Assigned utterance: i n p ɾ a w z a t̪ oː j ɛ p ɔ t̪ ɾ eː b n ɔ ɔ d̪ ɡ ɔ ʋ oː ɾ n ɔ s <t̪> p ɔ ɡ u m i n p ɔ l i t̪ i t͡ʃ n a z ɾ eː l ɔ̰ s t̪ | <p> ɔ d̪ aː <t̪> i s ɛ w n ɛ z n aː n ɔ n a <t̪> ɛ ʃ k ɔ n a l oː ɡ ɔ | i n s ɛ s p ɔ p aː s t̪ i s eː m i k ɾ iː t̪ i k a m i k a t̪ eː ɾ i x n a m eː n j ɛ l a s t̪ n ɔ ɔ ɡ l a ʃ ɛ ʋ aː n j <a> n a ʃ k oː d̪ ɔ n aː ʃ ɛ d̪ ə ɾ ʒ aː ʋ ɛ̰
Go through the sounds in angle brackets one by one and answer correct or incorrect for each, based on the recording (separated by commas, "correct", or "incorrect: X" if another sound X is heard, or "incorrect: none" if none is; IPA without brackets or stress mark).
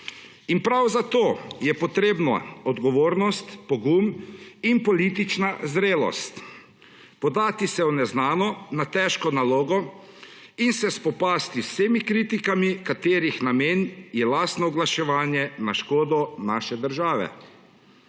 correct, correct, correct, correct, incorrect: ɛ